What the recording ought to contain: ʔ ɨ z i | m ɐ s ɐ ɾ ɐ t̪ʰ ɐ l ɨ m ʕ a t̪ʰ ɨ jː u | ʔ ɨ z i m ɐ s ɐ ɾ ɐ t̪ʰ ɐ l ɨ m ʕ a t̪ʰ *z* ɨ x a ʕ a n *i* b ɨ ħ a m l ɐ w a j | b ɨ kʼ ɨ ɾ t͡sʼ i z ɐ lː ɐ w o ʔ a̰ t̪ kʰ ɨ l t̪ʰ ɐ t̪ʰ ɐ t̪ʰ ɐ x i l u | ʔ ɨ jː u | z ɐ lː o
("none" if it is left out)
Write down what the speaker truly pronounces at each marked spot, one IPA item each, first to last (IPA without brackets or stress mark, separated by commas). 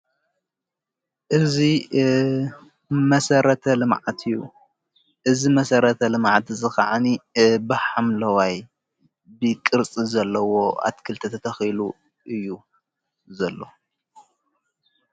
z, i